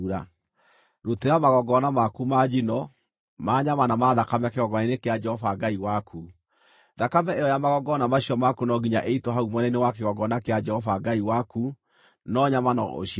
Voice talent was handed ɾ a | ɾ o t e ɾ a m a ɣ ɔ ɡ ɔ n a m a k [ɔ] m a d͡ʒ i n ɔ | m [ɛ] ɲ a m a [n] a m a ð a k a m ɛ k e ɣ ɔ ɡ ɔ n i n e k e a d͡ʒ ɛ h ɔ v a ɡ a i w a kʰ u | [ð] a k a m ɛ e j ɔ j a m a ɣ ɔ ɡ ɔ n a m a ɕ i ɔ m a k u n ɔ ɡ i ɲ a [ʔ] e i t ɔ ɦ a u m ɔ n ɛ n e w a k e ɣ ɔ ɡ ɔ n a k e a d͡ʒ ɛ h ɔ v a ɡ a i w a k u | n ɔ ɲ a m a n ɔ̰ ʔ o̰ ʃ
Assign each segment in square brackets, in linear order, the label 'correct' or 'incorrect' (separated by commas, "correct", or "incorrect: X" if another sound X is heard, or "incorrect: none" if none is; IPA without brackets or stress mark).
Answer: incorrect: u, incorrect: a, correct, correct, correct